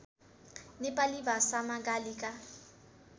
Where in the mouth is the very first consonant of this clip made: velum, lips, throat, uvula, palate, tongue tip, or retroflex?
tongue tip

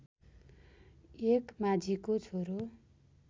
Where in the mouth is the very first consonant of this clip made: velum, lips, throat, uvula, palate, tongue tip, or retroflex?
velum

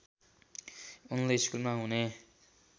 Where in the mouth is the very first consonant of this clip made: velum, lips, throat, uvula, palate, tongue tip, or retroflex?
tongue tip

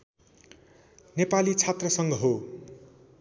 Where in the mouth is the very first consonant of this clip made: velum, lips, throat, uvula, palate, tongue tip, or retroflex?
tongue tip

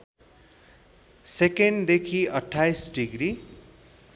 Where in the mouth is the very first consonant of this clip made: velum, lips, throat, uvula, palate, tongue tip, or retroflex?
tongue tip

